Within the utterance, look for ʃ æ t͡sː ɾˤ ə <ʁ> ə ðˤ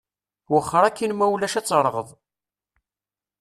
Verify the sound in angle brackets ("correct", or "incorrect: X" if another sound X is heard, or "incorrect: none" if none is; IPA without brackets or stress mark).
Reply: correct